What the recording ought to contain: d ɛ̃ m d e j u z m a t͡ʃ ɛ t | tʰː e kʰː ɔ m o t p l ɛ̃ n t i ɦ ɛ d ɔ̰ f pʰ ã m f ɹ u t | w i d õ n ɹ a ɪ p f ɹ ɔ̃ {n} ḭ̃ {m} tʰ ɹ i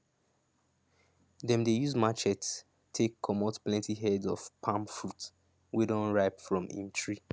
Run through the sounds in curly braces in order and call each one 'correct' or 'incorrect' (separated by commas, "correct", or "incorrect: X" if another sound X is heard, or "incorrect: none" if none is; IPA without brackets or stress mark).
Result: incorrect: m, incorrect: n